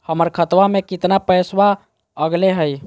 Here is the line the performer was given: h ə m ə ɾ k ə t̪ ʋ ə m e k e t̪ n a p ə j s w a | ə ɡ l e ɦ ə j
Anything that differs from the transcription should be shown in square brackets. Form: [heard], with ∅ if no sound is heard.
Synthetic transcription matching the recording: h ə m ə ɾ [kʰ] ə t̪ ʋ [a] m e k [i] t̪ n a p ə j s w a | ə ɡ l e ɦ ə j